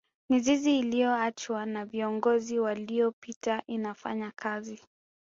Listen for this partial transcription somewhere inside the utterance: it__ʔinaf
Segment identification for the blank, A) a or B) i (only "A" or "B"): A